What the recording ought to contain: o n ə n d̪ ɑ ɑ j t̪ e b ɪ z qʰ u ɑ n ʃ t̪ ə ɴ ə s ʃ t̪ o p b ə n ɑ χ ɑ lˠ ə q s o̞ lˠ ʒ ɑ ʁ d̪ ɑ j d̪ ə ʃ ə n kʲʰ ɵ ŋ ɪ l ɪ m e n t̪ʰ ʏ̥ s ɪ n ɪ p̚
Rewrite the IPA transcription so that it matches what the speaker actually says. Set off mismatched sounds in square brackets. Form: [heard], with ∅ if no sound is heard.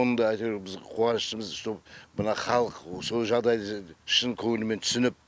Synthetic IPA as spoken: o n ə n d̪ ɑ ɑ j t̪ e b ɪ z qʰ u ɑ n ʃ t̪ ə [m] ə [z] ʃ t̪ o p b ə n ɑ χ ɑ lˠ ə q s o̞ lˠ ʒ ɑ ʁ d̪ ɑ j d̪ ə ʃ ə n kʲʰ ɵ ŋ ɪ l ɪ m e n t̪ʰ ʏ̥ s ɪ n ɪ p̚

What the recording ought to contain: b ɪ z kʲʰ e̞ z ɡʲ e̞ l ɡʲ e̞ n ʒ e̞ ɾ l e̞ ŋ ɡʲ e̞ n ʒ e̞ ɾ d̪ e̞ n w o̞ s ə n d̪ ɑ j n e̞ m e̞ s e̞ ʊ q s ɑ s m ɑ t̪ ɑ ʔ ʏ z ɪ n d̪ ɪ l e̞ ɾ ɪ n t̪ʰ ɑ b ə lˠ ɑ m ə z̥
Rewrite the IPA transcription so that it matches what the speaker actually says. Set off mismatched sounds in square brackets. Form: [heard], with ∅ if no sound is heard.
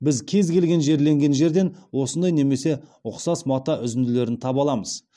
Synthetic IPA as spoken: b ɪ z kʲʰ e̞ z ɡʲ e̞ l ɡʲ e̞ n ʒ e̞ ɾ l e̞ ŋ ɡʲ e̞ n ʒ e̞ ɾ d̪ e̞ n w o̞ s ə n d̪ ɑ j n e̞ m e̞ s e̞ ʊ q s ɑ s m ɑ t̪ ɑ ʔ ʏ z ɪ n d̪ ɪ l e̞ ɾ ɪ n t̪ʰ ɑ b [ɑ] lˠ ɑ m ə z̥

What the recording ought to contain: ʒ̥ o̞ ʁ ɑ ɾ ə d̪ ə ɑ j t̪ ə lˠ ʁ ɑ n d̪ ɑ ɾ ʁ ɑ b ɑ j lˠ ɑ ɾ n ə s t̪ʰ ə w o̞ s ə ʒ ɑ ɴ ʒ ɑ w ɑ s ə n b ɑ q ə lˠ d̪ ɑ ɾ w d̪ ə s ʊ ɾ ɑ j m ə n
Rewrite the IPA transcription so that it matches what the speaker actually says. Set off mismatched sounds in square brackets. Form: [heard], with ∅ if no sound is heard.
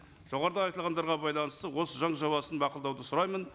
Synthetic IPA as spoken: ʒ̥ o̞ ʁ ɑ ɾ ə d̪ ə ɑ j t̪ ə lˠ ʁ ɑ n d̪ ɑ ɾ ʁ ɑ b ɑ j lˠ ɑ [∅] n ə s [t̪] ə w o̞ s ə ʒ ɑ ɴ ʒ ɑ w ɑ s ə n b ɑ q ə lˠ d̪ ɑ [∅] w d̪ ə s ʊ ɾ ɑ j m ə n

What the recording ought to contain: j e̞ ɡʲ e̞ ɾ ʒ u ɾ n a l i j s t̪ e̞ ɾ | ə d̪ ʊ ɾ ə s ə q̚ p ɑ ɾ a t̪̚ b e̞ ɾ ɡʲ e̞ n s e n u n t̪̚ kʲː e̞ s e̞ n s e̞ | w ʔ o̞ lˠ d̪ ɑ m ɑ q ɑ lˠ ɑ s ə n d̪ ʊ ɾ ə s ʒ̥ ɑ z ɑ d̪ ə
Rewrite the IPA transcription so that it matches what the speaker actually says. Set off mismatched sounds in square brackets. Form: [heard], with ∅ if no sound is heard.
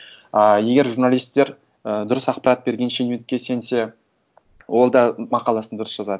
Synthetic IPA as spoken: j e̞ ɡʲ e̞ ɾ ʒ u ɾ n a l i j s t̪ e̞ ɾ | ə d̪ ʊ ɾ ə s [ɑ] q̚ p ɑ ɾ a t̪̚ b e̞ ɾ ɡʲ e̞ n [ʃ] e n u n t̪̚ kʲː e̞ s e̞ n s e̞ | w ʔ o̞ lˠ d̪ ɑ m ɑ q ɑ lˠ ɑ s ə n d̪ ʊ ɾ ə s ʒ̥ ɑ z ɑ d̪ ə

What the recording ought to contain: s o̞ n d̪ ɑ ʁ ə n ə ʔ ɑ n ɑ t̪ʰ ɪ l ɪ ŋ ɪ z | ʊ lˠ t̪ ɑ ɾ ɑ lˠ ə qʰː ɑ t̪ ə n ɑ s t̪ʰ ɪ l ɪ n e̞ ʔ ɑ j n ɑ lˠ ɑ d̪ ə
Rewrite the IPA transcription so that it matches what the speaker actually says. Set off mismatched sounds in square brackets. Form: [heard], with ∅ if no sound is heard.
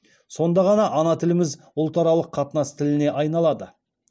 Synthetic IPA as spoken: s o̞ n d̪ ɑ ʁ [ɑ] n [ɑ] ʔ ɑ n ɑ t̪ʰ ɪ l ɪ [m] ɪ z | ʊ lˠ t̪ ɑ ɾ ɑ lˠ ə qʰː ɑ t̪ ə n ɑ s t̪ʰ ɪ l ɪ n e̞ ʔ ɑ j n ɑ lˠ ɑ d̪ ə

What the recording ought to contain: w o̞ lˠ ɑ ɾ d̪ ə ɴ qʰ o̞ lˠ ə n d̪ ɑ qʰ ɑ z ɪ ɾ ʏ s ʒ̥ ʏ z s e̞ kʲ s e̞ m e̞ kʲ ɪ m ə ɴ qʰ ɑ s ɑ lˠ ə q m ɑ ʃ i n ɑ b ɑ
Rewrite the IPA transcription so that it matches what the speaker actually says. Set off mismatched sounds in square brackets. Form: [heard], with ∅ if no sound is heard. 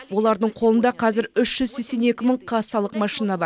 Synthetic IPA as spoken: w o̞ lˠ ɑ ɾ d̪ ə ɴ qʰ o̞ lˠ ə n d̪ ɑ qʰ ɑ z ɪ ɾ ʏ [ʃ] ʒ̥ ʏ z s e̞ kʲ s e̞ [n] e̞ kʲ ɪ m ə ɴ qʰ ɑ s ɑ lˠ ə q m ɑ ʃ i n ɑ b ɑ

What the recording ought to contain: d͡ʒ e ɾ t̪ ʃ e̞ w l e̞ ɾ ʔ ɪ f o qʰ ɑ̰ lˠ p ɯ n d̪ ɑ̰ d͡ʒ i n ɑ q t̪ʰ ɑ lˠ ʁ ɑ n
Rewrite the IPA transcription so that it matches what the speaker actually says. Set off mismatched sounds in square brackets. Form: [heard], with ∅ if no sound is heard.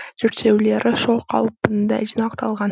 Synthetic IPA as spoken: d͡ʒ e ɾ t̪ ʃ e̞ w l e̞ ɾ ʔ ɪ [ʃ] o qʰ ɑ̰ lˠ p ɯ n d̪ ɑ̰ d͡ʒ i n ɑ q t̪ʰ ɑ lˠ ʁ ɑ n

